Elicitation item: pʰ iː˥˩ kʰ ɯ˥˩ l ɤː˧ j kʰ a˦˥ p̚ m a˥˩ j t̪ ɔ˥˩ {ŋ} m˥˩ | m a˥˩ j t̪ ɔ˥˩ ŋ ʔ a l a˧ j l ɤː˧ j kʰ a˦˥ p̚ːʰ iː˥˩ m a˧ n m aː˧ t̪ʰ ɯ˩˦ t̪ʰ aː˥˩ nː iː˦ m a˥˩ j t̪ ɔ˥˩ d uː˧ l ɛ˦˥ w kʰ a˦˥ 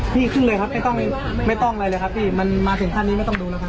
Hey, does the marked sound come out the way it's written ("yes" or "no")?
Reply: yes